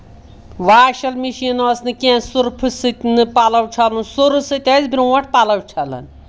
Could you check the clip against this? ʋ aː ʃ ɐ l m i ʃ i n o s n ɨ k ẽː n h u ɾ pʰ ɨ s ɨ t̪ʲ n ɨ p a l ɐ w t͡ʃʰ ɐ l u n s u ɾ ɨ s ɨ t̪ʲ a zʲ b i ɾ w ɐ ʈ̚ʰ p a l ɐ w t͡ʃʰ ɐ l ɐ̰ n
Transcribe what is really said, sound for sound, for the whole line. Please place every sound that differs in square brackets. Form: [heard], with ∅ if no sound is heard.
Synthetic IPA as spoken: ʋ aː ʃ ɐ l m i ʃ i n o s n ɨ k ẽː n [s] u ɾ pʰ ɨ s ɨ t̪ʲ n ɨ p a l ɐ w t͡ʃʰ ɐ l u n s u ɾ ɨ s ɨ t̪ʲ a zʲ b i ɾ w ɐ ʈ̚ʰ p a l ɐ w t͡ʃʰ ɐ l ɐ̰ n